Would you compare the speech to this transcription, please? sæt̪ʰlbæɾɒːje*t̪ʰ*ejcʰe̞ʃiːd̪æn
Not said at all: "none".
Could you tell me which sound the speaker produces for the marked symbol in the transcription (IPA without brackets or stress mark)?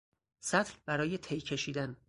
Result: t̪ʰ